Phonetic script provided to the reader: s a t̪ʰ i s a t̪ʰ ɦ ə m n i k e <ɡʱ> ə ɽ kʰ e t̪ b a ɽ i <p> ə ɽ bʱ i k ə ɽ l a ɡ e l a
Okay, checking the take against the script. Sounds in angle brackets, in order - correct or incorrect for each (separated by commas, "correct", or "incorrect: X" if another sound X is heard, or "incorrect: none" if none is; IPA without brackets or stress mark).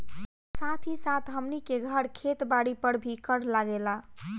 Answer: correct, correct